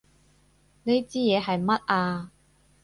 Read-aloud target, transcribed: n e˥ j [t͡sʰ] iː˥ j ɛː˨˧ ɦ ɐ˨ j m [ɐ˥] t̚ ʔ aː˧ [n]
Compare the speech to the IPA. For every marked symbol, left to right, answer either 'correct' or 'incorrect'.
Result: incorrect: t͡s, correct, incorrect: none

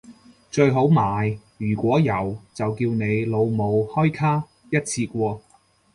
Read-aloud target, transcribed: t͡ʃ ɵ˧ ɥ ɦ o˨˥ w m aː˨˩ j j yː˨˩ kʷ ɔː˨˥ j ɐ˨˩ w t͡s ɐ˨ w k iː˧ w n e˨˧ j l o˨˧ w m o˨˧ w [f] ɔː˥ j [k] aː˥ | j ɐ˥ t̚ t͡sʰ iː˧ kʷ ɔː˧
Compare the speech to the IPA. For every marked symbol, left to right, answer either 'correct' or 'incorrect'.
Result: incorrect: h, incorrect: kʰ

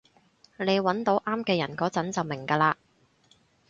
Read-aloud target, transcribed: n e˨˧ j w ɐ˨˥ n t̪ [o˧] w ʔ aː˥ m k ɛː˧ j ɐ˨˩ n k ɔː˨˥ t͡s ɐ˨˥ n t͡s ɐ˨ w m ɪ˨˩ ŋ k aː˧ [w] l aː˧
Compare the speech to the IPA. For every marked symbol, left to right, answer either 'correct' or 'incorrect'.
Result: incorrect: o˨˥, incorrect: none

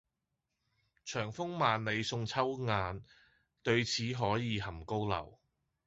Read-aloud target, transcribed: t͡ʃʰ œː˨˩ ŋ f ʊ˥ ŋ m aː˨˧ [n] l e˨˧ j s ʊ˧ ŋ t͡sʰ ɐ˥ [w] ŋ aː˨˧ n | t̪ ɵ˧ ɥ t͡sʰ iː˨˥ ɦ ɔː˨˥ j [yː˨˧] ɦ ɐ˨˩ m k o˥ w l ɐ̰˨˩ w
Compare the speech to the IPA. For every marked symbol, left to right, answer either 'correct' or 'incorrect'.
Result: correct, correct, incorrect: iː˨˧

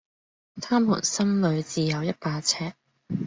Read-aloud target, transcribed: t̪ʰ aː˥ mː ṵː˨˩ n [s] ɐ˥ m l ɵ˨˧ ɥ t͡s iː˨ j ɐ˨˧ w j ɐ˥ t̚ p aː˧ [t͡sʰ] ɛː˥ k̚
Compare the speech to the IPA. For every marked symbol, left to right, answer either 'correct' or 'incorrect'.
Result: correct, correct

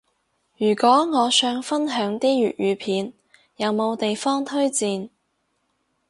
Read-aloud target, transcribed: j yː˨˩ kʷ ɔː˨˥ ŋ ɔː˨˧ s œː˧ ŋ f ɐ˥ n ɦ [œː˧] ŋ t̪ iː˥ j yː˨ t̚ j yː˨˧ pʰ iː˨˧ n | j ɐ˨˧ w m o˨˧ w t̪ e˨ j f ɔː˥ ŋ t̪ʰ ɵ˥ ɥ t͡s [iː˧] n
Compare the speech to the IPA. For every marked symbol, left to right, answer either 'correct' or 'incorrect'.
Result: incorrect: œː˨˥, correct

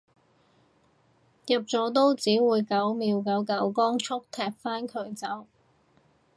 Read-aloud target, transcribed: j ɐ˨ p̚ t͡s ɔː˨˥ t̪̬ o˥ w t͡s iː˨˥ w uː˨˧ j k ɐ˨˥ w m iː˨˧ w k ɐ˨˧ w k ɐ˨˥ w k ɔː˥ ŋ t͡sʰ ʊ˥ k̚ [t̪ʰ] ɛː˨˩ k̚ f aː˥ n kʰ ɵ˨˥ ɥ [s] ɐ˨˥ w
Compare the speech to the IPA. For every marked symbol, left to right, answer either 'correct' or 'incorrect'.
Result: correct, incorrect: t͡s

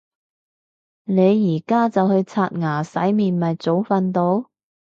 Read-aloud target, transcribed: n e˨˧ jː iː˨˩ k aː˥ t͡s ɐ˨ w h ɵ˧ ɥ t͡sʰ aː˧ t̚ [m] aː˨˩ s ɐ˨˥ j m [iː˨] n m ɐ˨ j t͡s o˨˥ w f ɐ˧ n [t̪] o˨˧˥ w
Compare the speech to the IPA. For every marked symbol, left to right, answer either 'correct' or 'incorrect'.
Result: incorrect: ŋ, correct, correct

